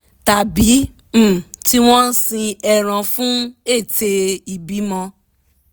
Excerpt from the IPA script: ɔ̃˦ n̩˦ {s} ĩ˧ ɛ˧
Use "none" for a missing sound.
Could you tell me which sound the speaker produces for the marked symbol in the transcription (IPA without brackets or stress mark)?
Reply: s